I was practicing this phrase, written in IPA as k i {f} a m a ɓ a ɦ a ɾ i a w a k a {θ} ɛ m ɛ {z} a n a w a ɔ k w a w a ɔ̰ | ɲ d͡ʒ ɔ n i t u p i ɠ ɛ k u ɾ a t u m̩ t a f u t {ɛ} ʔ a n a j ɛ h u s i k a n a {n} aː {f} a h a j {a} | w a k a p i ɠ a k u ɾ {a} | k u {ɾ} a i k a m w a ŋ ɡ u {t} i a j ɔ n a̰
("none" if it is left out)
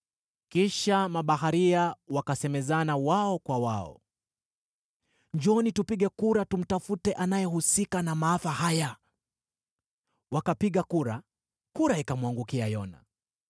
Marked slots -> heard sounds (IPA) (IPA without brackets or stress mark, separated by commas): ʃ, s, z, ɛ, m, f, a, a, ɾ, k